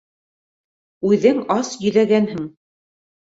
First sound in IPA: ʉ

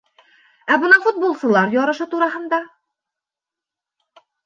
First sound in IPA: æ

